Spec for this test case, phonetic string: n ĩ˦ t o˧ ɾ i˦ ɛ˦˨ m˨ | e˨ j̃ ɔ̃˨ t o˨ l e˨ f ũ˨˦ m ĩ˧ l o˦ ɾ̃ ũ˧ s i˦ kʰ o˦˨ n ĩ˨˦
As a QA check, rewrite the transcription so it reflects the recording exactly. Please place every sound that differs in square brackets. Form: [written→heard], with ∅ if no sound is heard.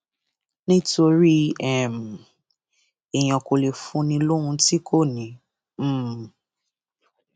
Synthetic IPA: n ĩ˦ t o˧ ɾ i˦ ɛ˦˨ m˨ | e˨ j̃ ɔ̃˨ [t→k] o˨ l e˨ f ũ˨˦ [m→n] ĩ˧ l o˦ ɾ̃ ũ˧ [s→t] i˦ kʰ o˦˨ n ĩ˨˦